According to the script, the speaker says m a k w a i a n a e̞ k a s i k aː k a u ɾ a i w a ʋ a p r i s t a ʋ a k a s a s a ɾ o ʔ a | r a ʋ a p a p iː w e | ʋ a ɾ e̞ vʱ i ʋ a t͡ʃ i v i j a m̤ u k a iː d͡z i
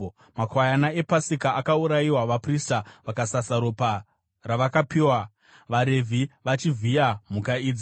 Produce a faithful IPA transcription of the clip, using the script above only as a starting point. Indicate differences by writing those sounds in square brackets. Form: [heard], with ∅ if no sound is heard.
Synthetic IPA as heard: m a k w a [j] a n a e̞ [p] a s i k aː k a u ɾ a i w a ʋ a p r i s t a ʋ a k a s a s a ɾ o [p] a | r a ʋ a [k] a p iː w [a] | ʋ a ɾ e̞ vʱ i ʋ a t͡ʃ i v i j a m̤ u k a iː d͡z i